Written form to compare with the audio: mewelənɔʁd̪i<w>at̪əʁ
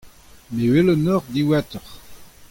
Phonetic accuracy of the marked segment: correct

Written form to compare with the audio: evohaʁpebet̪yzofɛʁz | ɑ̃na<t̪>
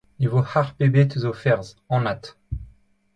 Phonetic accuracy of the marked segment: correct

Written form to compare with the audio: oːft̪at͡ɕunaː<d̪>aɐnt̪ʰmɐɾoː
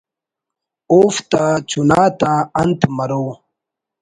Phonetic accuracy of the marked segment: incorrect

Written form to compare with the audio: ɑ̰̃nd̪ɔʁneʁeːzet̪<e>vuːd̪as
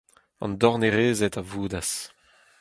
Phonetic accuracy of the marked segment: incorrect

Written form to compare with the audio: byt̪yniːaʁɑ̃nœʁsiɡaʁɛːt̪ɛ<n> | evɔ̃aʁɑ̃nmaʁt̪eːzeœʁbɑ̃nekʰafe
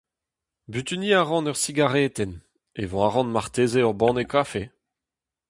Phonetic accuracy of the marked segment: correct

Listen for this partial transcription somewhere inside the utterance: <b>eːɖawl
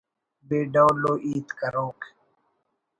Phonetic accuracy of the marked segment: correct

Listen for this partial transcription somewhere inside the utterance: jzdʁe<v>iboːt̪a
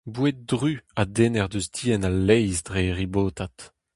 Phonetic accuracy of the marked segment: incorrect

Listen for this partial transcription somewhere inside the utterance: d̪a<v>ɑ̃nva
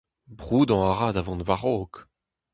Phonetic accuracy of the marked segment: correct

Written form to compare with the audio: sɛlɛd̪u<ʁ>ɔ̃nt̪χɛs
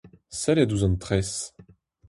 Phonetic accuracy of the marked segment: incorrect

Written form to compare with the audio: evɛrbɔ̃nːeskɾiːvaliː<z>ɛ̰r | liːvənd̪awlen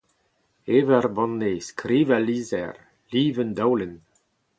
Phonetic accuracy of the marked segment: correct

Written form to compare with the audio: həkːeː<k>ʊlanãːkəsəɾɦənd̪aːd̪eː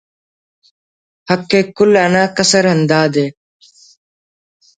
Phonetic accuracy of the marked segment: correct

